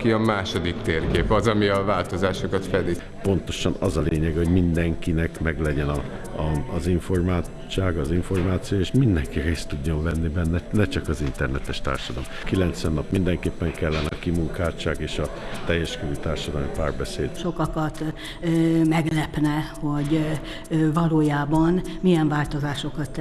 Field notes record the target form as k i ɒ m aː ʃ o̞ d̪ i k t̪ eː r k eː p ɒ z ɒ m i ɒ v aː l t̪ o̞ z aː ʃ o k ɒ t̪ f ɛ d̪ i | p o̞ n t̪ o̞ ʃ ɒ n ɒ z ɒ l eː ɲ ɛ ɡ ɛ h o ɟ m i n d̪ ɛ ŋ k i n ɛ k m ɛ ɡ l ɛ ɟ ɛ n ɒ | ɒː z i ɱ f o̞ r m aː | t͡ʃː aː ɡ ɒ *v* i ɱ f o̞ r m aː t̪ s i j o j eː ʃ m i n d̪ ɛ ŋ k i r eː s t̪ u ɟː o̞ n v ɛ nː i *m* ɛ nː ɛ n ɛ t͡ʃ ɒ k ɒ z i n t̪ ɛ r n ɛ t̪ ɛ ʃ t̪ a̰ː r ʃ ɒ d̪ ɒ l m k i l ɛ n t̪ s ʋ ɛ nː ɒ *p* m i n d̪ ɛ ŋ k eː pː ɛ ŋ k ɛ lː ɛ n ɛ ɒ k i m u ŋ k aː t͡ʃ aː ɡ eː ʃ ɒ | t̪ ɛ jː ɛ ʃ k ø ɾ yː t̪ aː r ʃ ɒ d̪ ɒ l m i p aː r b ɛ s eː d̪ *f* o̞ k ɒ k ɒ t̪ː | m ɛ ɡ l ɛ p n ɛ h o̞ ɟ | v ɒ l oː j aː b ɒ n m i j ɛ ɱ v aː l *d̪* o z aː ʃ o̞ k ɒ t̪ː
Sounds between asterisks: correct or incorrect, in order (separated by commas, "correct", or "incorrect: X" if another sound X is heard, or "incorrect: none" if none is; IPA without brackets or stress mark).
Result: incorrect: z, incorrect: b, correct, incorrect: ʃ, incorrect: t̪